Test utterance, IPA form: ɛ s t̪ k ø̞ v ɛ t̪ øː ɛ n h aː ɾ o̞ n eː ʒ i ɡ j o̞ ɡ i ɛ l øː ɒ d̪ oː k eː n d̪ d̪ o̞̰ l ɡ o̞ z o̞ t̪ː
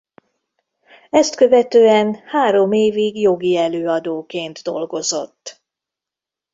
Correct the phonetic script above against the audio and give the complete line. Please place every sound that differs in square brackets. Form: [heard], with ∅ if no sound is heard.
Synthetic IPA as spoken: ɛ s t̪ k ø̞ v ɛ t̪ øː ɛ n h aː ɾ o̞ [m] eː [v] i ɡ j o̞ ɡ i ɛ l øː ɒ d̪ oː k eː n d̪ d̪ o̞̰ l ɡ o̞ z o̞ t̪ː